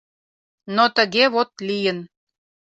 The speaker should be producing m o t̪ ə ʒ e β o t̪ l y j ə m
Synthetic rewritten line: n o t̪ ə ɣ e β o t̪ l i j ə n